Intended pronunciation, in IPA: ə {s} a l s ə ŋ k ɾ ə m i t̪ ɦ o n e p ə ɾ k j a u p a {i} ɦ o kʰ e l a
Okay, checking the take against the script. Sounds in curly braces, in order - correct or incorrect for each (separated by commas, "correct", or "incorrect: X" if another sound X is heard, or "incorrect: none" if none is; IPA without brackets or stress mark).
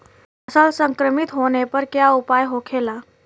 correct, incorrect: j